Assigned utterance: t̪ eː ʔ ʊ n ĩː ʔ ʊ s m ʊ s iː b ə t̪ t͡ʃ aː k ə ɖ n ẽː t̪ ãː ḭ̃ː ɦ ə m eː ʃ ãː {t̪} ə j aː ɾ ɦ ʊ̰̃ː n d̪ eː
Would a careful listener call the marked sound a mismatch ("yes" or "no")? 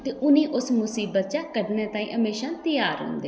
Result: no